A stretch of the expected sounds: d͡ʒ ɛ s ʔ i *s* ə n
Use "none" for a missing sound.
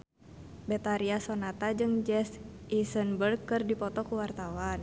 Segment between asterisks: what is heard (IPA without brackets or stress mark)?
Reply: s